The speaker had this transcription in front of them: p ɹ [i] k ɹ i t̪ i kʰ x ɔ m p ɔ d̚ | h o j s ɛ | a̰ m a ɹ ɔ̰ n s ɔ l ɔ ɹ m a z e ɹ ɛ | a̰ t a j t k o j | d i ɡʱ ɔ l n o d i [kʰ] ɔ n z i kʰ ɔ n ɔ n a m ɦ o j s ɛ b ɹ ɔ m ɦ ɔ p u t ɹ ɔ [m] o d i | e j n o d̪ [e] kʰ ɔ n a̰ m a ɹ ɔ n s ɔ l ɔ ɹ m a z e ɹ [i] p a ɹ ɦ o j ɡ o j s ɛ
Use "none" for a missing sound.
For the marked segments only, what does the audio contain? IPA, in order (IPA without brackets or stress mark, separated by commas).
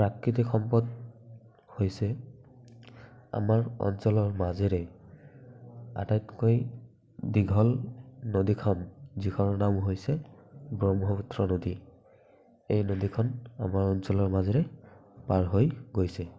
a, kʰ, n, i, ɛ